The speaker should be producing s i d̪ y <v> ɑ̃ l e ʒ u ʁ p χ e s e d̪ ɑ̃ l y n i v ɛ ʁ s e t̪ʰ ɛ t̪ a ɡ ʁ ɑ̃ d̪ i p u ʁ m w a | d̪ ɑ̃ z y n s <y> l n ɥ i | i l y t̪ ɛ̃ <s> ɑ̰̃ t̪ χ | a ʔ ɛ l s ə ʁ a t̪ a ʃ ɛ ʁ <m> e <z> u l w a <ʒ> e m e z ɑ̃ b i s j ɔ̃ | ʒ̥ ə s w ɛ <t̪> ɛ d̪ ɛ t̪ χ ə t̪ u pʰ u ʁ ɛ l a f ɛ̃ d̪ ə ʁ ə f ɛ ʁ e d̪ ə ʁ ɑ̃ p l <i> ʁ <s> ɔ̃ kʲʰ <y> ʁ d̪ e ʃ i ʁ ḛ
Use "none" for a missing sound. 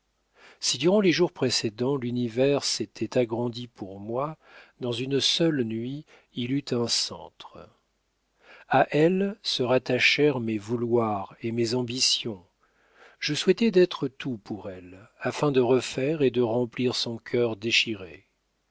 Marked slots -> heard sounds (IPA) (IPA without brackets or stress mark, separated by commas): ʁ, œ, s, m, v, ʁ, t̪, i, s, œ